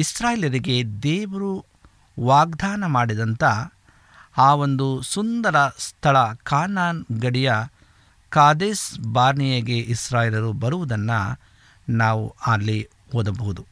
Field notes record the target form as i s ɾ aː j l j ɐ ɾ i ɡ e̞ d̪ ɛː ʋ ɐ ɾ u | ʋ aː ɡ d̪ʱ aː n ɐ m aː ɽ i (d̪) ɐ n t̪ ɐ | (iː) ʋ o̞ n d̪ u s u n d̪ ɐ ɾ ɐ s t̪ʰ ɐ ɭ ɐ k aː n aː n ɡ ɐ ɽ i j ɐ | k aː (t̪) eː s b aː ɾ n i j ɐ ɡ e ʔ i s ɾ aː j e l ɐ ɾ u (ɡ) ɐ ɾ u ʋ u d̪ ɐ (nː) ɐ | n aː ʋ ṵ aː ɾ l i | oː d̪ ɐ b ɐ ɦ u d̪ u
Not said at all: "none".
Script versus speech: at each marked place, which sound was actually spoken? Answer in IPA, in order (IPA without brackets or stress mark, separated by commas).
d̪, aː, d̪, b, nː